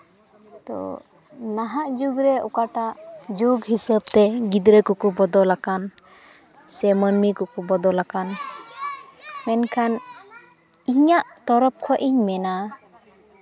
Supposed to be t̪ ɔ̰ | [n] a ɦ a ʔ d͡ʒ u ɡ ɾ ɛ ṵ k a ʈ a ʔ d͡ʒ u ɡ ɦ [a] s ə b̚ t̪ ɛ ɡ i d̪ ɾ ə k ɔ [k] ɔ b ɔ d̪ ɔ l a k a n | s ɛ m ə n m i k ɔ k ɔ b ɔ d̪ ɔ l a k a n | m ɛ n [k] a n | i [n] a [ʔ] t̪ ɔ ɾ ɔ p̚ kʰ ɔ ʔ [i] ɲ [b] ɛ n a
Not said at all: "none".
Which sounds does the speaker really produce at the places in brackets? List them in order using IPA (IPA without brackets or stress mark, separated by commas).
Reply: n, i, k, kʰ, ɲ, ʔ, i, m